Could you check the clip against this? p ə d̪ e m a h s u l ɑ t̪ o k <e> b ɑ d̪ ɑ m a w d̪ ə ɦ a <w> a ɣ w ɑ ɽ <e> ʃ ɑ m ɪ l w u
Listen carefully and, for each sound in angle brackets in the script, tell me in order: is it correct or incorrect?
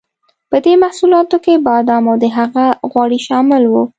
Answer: correct, incorrect: ɣ, incorrect: i

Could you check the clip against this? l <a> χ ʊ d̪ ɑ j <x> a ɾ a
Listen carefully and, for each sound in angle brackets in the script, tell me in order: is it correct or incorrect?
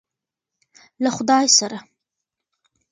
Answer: correct, incorrect: s

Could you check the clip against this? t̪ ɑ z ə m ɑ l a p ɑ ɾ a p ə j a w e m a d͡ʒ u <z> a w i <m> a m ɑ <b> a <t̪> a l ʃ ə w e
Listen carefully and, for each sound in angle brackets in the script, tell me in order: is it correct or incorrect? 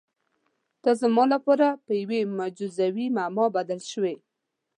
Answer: correct, correct, correct, incorrect: d̪

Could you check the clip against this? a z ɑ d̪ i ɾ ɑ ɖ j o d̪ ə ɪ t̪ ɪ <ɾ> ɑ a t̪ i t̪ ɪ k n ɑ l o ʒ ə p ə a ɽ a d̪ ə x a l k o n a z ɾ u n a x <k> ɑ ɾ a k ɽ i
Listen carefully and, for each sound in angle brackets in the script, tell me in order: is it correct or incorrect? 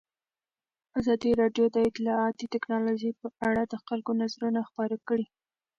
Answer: incorrect: l, incorrect: p

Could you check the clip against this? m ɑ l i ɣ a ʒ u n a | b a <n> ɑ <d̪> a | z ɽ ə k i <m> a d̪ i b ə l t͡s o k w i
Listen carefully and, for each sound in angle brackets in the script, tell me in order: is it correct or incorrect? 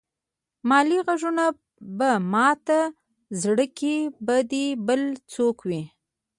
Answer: incorrect: m, incorrect: t̪, incorrect: b

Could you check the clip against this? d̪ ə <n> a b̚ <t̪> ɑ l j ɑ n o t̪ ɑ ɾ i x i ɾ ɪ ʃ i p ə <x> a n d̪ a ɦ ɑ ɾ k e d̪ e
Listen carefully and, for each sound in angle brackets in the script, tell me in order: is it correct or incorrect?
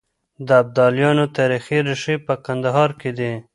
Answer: incorrect: none, incorrect: d̪, incorrect: k

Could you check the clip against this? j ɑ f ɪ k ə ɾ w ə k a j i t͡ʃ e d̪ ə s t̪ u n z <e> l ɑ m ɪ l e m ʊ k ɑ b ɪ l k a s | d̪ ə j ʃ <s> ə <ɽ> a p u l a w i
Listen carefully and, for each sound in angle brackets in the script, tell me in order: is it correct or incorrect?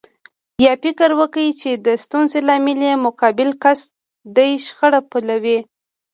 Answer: correct, incorrect: x, correct

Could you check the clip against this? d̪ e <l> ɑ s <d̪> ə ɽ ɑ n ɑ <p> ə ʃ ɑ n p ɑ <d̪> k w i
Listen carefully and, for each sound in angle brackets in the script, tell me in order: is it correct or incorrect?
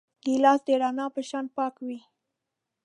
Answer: correct, correct, correct, incorrect: none

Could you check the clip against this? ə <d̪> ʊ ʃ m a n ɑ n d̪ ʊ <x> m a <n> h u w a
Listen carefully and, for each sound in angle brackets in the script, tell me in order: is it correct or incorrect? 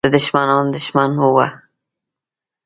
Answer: correct, incorrect: ʃ, correct

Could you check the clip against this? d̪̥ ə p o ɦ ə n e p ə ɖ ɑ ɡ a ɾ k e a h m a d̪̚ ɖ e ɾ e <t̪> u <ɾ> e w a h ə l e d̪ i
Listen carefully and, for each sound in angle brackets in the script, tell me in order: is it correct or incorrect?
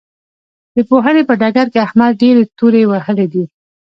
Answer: correct, correct

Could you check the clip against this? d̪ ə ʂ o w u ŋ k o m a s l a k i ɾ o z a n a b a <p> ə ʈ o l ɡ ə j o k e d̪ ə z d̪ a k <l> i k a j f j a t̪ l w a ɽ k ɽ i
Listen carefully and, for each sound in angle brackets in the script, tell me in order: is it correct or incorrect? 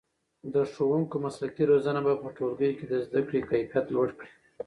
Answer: correct, incorrect: ɽ

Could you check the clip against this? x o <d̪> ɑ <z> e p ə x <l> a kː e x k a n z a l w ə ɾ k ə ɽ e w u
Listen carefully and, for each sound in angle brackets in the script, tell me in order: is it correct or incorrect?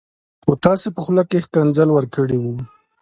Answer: incorrect: t̪, incorrect: s, correct

